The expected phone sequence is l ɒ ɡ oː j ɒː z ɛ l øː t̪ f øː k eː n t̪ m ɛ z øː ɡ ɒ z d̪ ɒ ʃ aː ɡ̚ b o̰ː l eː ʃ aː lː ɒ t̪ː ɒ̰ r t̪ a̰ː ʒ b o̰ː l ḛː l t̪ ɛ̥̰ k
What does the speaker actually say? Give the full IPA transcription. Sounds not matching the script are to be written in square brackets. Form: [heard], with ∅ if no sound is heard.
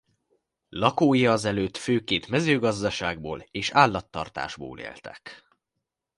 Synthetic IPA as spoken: l ɒ [k] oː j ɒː z ɛ l øː t̪ f øː k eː n t̪ m ɛ z øː ɡ ɒ z d̪ ɒ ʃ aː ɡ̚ b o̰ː l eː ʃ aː lː ɒ t̪ː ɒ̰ r t̪ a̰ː ʒ b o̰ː l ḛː l t̪ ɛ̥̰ k